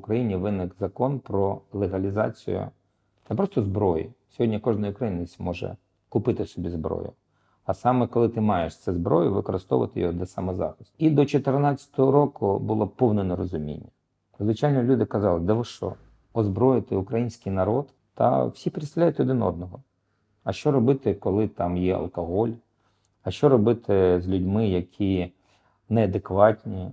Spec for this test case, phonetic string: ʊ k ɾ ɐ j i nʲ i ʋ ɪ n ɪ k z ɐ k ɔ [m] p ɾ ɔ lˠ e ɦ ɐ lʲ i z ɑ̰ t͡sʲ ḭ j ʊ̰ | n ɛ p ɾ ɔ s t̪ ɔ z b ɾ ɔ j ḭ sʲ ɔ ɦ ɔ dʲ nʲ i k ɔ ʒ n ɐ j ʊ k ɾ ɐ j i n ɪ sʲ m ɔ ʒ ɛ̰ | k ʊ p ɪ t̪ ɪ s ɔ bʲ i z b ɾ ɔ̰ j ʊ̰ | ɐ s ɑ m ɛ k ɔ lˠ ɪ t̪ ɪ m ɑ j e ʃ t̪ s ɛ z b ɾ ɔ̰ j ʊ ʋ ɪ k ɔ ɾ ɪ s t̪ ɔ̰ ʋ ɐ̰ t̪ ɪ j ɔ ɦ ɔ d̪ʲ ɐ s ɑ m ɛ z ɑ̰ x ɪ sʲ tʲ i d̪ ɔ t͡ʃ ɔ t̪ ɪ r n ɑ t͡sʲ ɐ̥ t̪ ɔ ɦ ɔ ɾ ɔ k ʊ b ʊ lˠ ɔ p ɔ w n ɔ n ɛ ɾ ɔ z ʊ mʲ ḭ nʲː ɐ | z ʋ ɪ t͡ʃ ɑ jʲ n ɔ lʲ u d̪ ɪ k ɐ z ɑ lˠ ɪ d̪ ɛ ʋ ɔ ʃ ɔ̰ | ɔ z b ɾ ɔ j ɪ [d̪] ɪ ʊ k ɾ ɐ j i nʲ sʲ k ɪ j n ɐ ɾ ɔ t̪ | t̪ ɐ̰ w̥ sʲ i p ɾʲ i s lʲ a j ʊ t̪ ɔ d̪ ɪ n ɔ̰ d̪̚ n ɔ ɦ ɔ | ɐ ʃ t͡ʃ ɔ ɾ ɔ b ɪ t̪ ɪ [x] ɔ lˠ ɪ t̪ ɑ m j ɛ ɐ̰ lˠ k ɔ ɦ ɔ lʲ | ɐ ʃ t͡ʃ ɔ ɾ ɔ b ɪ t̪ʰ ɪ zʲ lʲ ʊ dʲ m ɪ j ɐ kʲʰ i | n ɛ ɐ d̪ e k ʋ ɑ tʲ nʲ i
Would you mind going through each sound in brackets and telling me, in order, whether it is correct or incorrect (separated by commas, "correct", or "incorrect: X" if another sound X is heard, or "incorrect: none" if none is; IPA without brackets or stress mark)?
incorrect: n, incorrect: t̪, incorrect: k